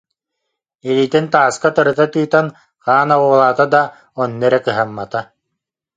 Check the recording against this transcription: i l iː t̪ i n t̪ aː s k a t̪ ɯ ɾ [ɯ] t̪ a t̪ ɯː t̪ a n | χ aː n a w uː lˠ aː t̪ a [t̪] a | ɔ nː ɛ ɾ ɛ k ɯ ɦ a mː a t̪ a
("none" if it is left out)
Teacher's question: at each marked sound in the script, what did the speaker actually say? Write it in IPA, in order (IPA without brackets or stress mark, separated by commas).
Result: ɯ, d̪